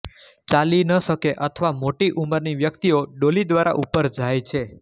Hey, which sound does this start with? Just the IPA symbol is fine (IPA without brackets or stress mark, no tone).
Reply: t͡ʃ